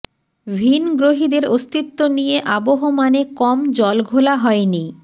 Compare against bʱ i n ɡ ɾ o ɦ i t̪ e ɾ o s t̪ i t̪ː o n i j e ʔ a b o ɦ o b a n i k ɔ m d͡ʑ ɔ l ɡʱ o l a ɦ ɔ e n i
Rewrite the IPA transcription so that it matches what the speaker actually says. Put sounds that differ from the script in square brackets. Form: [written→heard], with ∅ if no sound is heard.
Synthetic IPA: bʱ i n ɡ ɾ o ɦ i [t̪→d̪] e ɾ o s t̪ i t̪ː o n i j e ʔ a b o ɦ o [b→m] a n [i→e] k ɔ m d͡ʑ ɔ l ɡʱ o l a ɦ ɔ e n i